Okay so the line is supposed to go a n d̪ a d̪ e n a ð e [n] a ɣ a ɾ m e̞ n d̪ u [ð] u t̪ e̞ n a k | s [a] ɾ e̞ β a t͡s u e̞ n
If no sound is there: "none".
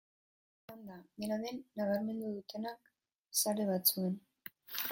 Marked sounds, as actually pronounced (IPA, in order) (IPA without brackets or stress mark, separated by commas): nː, ð, a